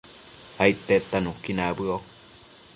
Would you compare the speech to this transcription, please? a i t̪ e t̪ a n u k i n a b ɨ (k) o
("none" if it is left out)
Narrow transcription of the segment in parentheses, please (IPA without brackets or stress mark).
none